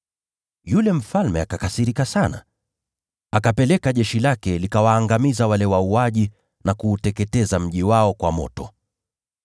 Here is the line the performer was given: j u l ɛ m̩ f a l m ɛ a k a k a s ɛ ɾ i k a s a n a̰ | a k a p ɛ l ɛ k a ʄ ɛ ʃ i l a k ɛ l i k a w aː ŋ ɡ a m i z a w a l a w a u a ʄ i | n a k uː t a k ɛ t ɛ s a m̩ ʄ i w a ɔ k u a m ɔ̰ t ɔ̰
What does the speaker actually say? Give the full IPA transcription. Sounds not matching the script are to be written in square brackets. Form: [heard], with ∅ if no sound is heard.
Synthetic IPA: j u l ɛ m̩ f a l m ɛ a k a k a s [i] ɾ i k a s a n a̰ | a k a p ɛ l ɛ k a ʄ ɛ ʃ i l a k ɛ l i k a w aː ŋ ɡ a m i z a w a l [ɛ] w a u a ʄ i | n a k uː t [ɛ] k ɛ t ɛ [z] a m̩ ʄ i w a ɔ k [w] a m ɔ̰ t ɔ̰